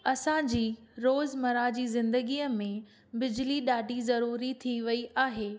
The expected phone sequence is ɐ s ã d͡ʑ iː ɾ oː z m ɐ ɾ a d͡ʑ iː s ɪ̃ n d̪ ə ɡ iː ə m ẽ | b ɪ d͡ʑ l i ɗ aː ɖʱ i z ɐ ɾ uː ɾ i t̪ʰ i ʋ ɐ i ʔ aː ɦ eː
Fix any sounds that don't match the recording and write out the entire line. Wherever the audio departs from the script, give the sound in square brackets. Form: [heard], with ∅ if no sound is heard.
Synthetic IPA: ɐ s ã d͡ʑ iː ɾ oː z m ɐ ɾ a d͡ʑ iː [z] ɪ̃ n d̪ ə ɡ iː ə m ẽ | b ɪ d͡ʑ l i ɗ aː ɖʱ i z ɐ ɾ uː ɾ i t̪ʰ i ʋ ɐ i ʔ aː ɦ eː